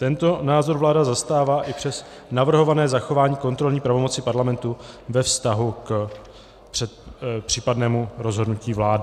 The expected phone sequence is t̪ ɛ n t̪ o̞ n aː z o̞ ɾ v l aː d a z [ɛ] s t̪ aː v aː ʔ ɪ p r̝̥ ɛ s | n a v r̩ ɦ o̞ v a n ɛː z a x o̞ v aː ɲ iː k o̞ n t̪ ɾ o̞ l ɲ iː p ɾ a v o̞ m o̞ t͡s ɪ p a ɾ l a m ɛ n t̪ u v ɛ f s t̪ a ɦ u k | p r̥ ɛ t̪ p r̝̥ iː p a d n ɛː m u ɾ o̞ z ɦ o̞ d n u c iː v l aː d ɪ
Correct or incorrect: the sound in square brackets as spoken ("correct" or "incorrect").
incorrect